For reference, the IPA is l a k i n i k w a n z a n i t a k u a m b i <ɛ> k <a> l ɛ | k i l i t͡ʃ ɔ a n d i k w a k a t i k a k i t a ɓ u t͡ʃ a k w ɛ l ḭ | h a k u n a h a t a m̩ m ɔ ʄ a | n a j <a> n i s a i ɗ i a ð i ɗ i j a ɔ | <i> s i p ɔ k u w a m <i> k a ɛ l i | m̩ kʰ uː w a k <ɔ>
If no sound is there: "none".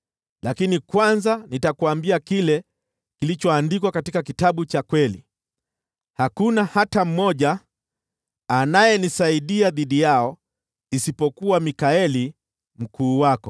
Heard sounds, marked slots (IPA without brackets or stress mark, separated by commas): a, i, ɛ, i, i, ɔ